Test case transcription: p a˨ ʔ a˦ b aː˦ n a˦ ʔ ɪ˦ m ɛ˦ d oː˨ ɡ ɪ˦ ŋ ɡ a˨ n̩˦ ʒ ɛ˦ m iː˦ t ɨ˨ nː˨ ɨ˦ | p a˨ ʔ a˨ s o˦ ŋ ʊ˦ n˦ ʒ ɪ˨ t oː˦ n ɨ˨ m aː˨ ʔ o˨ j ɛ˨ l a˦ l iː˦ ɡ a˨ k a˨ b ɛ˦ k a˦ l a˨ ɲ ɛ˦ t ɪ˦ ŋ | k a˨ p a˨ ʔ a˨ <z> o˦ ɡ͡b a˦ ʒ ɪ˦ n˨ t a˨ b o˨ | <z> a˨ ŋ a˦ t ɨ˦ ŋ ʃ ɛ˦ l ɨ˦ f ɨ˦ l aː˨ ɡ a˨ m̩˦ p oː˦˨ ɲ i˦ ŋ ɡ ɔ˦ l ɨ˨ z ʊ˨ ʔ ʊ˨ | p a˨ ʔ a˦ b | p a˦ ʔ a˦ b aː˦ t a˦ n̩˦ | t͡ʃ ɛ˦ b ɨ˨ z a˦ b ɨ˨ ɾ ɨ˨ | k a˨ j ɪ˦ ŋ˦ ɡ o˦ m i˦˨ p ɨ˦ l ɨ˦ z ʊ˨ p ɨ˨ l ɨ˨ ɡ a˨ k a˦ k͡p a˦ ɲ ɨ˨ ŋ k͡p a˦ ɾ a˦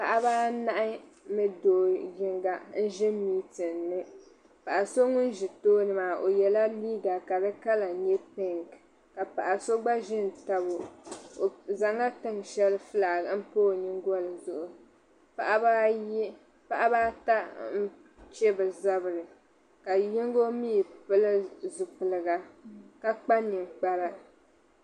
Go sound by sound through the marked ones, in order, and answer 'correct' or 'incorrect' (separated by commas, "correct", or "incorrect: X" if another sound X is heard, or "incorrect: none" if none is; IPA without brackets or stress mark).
incorrect: s, correct